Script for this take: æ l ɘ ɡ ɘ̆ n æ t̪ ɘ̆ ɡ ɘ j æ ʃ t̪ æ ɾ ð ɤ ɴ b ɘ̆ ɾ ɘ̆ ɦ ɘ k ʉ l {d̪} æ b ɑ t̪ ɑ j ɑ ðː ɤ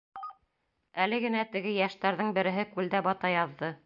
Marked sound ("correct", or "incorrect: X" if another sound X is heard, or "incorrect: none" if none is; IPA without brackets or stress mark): correct